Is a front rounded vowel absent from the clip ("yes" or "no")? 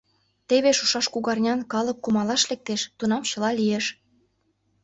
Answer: yes